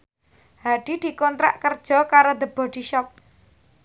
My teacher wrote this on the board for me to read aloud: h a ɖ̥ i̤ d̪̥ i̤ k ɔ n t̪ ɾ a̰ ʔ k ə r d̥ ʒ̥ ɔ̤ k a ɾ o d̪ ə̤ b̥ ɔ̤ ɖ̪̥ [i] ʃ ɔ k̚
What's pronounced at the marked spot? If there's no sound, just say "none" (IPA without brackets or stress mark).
i